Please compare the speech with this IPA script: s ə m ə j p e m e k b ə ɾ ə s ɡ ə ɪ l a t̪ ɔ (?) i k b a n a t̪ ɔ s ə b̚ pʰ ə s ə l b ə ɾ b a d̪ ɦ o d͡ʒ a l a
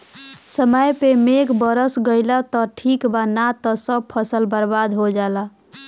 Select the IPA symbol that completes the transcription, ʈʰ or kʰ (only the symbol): ʈʰ